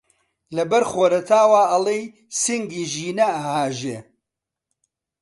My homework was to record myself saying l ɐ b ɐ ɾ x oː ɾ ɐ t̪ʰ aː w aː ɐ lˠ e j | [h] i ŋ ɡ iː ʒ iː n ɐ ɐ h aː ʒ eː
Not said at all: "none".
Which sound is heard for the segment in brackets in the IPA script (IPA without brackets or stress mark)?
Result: s